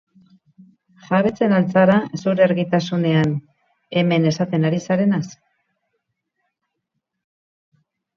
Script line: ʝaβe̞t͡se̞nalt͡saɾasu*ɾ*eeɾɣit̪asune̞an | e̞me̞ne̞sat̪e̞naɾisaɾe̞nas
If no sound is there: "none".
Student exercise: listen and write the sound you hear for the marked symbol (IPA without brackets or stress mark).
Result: ɾ